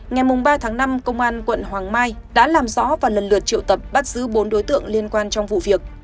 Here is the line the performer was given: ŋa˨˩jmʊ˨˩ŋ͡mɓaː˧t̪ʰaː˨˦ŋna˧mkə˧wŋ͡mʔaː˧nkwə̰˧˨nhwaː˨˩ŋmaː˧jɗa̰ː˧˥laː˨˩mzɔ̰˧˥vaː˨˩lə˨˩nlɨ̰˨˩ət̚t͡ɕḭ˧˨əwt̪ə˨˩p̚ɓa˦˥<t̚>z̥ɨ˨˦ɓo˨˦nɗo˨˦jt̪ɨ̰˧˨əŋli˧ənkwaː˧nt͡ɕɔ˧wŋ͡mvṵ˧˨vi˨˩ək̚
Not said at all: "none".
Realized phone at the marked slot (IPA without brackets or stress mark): t̚